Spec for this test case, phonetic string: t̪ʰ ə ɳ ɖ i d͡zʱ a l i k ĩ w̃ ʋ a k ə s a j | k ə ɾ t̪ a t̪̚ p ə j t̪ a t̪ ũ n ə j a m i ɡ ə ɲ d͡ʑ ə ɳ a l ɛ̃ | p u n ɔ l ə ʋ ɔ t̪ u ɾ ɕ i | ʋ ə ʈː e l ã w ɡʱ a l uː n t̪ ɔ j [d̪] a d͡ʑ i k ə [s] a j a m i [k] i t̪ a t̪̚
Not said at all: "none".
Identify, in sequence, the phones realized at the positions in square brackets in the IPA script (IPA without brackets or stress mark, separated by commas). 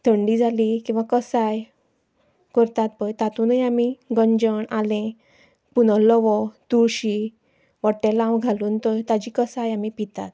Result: t̪, s, p